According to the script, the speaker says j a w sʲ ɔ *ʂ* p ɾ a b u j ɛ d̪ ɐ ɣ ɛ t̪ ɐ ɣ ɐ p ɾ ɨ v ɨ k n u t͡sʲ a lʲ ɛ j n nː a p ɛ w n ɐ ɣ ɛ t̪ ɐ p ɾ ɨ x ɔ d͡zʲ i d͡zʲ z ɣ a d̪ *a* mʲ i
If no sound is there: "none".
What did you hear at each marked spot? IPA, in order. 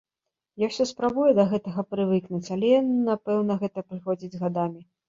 s, a

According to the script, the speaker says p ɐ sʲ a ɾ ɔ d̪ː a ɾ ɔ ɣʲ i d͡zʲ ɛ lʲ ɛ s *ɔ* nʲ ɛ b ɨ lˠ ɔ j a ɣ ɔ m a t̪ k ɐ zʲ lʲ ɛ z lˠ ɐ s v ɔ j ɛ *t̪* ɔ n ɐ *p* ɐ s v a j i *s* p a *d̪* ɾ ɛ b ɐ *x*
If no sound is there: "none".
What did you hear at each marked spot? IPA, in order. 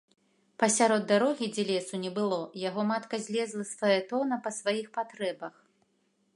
u, t̪, p, x, t̪, x

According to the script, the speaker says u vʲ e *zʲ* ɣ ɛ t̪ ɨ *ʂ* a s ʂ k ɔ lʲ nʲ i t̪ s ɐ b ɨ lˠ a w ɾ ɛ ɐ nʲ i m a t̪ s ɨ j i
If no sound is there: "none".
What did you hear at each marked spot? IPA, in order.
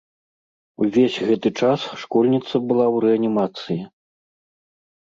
sʲ, t͡ʂ

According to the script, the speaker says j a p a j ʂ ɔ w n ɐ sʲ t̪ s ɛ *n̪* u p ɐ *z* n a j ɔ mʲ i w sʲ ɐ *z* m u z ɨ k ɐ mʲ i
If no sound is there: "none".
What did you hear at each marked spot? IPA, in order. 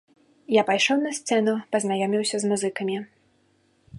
n̪, z, z

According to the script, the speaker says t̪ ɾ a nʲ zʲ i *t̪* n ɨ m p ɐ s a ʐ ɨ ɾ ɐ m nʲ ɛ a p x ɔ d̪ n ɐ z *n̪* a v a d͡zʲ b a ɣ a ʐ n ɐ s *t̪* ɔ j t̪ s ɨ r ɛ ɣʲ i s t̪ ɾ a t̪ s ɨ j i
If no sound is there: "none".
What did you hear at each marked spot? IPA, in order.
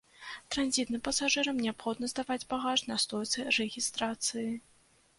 t̪, d̪, t̪

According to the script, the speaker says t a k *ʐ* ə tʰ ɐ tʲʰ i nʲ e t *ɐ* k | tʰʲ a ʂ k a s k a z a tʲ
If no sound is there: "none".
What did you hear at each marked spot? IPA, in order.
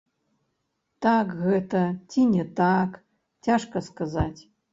ɣ, a

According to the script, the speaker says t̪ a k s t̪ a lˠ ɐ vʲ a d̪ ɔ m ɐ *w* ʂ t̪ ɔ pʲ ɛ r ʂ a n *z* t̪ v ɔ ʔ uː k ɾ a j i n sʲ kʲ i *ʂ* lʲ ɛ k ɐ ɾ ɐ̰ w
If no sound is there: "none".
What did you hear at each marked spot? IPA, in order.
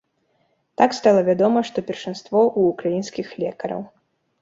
none, s, x

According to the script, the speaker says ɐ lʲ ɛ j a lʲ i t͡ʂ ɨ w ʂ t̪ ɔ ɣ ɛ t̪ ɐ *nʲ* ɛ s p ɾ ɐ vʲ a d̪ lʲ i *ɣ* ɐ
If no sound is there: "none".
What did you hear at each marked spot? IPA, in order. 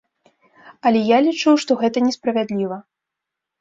nʲ, v

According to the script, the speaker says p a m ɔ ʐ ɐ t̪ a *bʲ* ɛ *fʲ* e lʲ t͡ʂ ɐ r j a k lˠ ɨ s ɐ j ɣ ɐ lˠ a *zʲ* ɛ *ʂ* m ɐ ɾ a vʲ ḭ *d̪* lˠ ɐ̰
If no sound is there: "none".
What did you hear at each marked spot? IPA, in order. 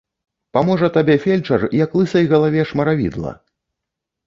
bʲ, fʲ, vʲ, ʂ, d̪

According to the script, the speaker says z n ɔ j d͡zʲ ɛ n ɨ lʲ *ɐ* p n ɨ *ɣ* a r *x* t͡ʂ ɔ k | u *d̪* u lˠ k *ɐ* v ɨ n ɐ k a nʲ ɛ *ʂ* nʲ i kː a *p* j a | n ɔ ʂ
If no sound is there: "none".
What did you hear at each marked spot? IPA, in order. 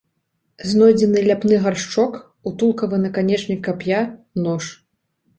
a, ɣ, ʂ, t̪, ɐ, t͡ʂ, p

